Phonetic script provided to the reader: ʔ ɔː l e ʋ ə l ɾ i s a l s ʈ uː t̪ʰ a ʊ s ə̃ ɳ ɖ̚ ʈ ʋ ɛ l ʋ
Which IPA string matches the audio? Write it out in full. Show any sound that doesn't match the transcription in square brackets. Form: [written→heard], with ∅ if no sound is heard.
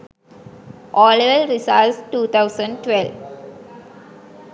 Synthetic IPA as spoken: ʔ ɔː l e ʋ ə l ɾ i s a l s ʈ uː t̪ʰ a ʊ s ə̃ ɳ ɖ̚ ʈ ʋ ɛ l ʋ